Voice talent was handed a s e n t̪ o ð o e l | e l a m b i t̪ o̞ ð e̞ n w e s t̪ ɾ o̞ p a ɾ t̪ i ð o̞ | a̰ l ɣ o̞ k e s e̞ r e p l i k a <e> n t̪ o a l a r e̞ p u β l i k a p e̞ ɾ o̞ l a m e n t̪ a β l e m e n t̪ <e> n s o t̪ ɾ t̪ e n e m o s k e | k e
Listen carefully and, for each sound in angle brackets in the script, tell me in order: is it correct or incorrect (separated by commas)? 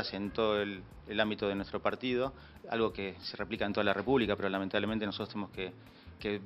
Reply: correct, correct